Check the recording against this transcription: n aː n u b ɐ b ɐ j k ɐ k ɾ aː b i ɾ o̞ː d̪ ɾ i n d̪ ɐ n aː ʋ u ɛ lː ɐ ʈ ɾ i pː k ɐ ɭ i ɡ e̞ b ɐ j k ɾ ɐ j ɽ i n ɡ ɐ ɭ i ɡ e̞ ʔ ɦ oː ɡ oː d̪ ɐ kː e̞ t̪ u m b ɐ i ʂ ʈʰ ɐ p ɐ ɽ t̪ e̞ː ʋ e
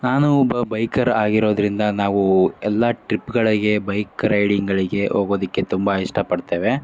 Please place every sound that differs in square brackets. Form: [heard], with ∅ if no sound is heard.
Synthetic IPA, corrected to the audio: n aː n u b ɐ b ɐ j k ɐ [∅] ɾ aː [ɡ] i ɾ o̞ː d̪ ɾ i n d̪ ɐ n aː ʋ u ɛ lː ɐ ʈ ɾ i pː [ɡ] ɐ ɭ i ɡ e̞ b ɐ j k ɾ ɐ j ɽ i [ŋ] ɡ ɐ ɭ i ɡ e̞ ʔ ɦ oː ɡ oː d̪ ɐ kː e̞ t̪ u m b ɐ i ʂ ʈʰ ɐ p ɐ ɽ t̪ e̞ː ʋ e